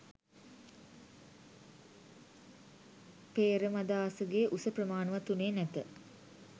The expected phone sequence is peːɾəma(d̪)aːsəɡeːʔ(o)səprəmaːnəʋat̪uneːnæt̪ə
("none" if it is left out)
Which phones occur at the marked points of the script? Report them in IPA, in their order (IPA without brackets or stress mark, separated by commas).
d̪, u